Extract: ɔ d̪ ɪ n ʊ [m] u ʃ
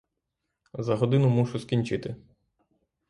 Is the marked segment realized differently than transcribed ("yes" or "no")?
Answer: no